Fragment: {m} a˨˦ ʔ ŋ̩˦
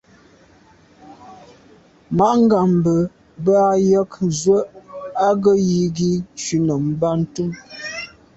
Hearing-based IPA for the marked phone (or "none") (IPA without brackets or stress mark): m